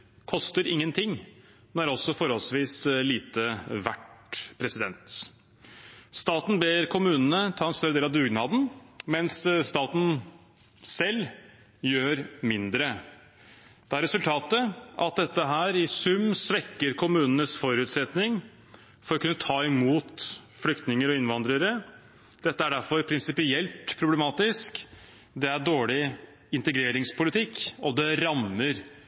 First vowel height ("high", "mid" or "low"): mid